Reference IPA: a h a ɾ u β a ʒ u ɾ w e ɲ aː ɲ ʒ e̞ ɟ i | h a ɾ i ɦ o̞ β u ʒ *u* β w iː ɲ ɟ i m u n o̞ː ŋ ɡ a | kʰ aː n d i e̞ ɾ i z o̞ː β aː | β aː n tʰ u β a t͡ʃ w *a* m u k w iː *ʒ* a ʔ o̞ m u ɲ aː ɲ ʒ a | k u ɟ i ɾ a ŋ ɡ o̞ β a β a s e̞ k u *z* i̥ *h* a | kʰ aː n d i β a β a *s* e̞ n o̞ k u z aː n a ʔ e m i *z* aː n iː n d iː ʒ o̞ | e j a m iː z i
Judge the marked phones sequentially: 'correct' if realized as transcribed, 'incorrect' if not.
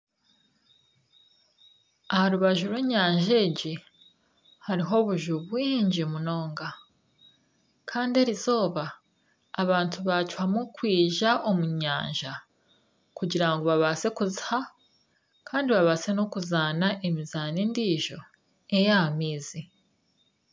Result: correct, correct, correct, correct, correct, correct, correct

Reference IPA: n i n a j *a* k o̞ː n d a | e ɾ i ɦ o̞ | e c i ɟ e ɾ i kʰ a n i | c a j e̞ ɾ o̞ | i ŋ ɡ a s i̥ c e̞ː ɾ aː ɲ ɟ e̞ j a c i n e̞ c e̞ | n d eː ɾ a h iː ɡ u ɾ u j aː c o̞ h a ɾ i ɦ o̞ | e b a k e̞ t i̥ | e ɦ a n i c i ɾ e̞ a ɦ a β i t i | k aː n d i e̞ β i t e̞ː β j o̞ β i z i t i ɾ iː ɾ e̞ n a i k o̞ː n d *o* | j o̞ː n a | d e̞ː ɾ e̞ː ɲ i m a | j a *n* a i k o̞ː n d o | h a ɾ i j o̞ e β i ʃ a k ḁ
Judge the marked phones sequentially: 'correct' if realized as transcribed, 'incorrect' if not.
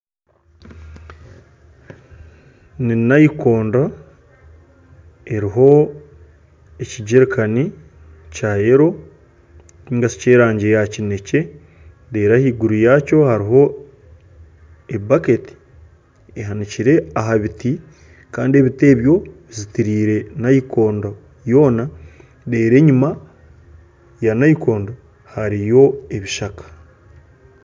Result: incorrect, correct, correct

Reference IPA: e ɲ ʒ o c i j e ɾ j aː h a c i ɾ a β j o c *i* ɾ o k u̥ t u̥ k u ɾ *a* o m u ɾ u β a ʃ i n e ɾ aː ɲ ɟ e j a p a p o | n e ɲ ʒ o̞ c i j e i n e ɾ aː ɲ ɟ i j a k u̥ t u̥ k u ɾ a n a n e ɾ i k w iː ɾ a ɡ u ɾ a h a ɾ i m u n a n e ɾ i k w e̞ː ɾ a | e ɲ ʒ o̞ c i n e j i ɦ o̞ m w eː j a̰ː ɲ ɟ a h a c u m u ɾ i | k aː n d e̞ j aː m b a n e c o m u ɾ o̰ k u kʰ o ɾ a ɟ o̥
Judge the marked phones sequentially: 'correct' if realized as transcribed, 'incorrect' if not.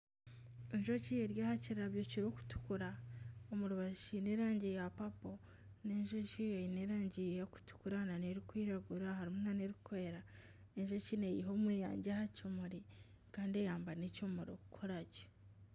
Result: correct, correct

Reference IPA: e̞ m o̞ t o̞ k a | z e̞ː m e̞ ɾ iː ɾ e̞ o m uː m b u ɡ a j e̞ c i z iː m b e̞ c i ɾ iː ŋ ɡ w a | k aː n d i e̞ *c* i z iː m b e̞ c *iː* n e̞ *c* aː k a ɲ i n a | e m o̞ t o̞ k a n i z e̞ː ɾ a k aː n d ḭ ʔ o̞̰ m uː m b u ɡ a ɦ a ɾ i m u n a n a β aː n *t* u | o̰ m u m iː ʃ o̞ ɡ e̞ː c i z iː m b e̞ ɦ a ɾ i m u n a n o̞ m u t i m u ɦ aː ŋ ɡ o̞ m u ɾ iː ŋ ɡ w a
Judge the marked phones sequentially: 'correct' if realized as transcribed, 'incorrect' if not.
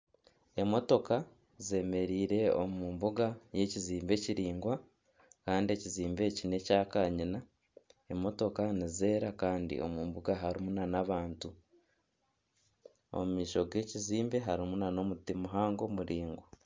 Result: correct, incorrect, correct, correct

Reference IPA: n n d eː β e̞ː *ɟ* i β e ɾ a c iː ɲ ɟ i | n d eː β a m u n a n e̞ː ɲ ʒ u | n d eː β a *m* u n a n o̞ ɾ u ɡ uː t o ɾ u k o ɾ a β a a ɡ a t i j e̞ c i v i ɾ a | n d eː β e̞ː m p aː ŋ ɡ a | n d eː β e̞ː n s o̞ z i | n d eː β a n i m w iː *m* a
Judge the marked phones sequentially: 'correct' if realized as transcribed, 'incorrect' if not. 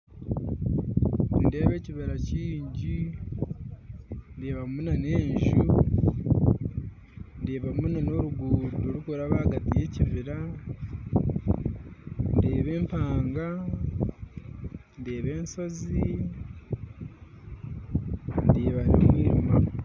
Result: incorrect, correct, correct

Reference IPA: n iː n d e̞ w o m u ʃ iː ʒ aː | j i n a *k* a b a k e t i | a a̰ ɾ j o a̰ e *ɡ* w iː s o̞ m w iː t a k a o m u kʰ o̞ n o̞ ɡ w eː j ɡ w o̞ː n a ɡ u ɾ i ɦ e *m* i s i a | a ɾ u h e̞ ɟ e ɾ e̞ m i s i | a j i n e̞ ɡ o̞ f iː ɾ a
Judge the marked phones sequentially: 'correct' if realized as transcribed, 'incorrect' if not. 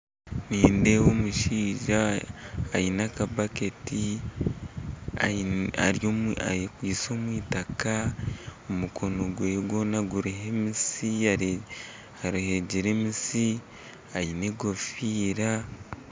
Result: correct, incorrect, correct

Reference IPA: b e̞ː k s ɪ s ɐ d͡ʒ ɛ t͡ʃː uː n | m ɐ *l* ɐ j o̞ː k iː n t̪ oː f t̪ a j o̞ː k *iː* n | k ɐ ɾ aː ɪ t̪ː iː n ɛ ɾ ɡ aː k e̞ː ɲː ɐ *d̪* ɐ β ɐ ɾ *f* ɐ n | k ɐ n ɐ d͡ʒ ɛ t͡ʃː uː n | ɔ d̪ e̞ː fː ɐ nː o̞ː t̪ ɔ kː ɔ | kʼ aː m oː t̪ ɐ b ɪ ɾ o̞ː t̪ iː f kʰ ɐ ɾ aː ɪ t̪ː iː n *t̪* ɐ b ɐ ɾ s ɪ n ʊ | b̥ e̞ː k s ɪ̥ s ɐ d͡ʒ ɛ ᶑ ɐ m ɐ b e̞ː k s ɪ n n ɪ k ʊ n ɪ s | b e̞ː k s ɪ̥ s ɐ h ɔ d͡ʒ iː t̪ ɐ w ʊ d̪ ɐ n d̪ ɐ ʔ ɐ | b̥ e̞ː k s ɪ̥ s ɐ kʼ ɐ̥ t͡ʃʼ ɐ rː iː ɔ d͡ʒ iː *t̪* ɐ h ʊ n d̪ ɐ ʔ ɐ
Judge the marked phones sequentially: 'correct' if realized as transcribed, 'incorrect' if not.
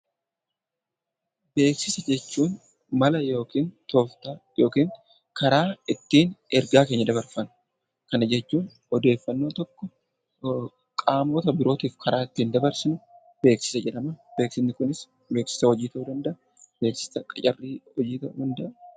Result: correct, correct, correct, correct, incorrect, correct

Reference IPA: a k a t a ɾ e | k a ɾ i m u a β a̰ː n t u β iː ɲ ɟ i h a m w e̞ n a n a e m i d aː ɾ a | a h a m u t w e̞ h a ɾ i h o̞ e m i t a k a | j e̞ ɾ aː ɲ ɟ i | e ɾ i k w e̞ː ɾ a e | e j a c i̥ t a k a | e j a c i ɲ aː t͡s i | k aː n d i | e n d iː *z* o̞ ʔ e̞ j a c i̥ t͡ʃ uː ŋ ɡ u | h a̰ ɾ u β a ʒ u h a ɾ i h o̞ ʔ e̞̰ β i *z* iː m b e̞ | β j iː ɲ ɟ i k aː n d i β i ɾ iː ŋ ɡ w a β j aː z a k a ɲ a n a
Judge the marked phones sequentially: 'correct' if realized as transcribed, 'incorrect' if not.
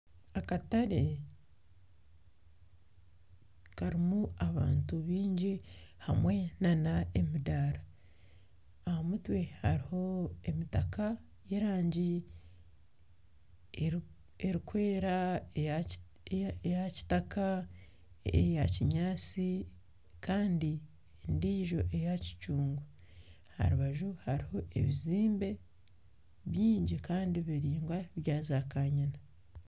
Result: incorrect, correct

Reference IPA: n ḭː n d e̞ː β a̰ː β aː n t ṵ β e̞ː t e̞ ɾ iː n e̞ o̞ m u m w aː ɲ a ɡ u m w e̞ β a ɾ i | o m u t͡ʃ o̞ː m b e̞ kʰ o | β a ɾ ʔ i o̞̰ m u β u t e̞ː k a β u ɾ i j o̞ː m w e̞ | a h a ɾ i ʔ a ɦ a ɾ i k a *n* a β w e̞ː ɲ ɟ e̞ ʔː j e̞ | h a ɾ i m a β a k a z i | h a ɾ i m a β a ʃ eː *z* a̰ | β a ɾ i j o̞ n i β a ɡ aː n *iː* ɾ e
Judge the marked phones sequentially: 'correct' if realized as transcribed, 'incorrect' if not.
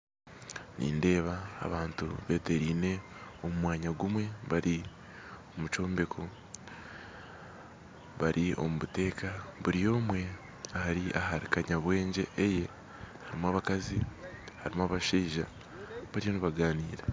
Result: incorrect, incorrect, correct

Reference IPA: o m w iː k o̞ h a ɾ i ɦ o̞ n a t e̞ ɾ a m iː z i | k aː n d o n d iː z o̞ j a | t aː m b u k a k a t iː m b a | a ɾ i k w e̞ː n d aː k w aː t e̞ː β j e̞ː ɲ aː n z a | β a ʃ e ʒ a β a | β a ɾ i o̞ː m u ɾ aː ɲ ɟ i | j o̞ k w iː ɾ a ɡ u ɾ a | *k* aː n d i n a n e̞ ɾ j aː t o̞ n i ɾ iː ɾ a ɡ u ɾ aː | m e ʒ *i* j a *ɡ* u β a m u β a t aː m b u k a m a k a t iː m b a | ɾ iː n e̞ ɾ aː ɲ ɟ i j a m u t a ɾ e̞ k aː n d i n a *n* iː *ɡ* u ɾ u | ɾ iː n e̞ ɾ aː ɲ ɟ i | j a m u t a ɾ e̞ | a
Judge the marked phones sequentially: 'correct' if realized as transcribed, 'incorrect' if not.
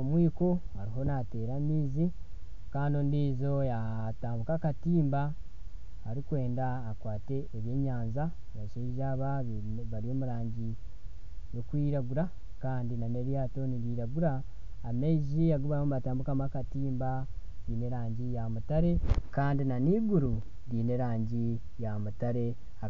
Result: correct, correct, correct, correct, correct

